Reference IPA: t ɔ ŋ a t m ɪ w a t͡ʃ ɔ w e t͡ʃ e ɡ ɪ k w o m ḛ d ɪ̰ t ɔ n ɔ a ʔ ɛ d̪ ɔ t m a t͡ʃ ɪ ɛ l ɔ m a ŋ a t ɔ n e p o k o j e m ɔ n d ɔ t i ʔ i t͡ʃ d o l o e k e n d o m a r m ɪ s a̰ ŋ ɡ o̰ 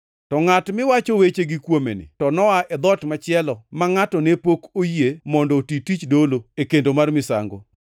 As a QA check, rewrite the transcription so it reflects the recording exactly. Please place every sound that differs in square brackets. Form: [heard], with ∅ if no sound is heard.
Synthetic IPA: t ɔ ŋ a t m ɪ w a t͡ʃ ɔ w e t͡ʃ e ɡ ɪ k w o m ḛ [n] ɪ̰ t ɔ n ɔ a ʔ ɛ d̪ ɔ t m a t͡ʃ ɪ ɛ l ɔ m a ŋ a t ɔ n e p o k o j e m ɔ n d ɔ t i [t] i t͡ʃ d o l o e k e n d o m a r m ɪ s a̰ ŋ ɡ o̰